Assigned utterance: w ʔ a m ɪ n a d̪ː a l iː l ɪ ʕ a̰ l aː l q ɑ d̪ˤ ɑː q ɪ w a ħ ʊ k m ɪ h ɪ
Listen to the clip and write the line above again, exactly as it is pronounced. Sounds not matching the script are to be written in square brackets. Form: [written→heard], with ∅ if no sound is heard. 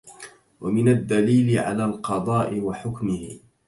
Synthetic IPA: w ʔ a m ɪ n a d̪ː a l iː l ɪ ʕ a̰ l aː l q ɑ d̪ˤ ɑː [q→ʔ] ɪ w a ħ ʊ k m ɪ h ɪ